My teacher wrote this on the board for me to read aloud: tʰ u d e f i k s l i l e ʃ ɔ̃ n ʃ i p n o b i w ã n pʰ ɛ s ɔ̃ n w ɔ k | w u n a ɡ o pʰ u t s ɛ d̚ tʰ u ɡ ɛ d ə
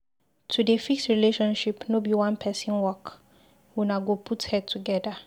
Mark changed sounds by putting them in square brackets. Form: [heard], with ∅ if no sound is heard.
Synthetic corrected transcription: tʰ u d e f i k s [ɹ] i l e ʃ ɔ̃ n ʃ i p n o b i w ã n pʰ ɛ s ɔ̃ n w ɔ k | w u n a ɡ o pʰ u t [h] ɛ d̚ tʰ u ɡ ɛ d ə